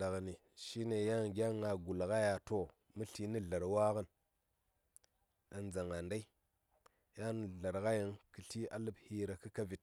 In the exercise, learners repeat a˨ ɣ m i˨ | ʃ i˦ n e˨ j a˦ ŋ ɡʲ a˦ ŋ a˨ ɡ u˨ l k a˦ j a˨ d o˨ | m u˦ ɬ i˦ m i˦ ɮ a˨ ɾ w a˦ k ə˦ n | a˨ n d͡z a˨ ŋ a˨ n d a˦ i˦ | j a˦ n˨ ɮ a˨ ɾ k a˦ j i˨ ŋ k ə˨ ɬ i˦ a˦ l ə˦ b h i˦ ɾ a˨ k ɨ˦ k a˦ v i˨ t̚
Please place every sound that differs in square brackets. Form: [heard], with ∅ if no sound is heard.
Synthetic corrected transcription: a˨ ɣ [n] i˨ | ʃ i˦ n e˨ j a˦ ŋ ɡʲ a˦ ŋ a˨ ɡ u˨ l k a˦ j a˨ [t] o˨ | m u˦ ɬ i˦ [n] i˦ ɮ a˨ ɾ w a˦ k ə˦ n | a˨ n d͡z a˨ ŋ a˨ n d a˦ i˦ | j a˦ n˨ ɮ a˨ ɾ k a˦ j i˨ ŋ k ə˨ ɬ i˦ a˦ l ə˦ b h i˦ ɾ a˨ k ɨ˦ k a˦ v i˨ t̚